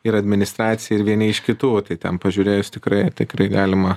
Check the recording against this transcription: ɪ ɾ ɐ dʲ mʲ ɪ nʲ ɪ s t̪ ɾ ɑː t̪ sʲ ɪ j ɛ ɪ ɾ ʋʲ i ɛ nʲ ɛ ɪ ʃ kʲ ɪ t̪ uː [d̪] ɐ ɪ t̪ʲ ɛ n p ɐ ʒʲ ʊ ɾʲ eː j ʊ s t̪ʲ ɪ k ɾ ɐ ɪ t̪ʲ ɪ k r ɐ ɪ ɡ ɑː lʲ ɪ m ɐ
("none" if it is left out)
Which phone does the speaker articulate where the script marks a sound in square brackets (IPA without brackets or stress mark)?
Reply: t̪